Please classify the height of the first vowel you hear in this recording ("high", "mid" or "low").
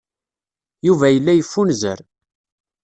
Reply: high